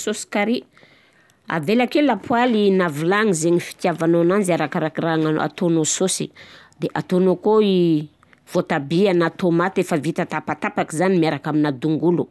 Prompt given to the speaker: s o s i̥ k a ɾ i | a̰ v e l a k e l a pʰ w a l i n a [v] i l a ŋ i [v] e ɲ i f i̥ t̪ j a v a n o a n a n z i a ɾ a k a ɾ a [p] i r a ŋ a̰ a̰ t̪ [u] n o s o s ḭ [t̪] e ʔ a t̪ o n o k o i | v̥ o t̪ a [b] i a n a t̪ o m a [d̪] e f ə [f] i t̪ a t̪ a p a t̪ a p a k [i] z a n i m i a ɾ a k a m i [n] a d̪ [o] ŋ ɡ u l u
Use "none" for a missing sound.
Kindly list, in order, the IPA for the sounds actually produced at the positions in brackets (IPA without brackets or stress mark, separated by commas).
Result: v, z, k, o, d̪, b, t̪, v, i, n, u